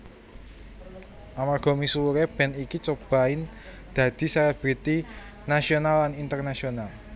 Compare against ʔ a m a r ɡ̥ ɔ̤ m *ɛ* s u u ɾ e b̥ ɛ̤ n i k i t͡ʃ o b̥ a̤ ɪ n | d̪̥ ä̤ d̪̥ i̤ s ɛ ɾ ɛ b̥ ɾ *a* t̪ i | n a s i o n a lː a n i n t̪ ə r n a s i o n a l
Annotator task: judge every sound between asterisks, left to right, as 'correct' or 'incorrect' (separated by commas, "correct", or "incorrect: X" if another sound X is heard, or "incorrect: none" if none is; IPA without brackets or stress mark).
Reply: incorrect: i, incorrect: i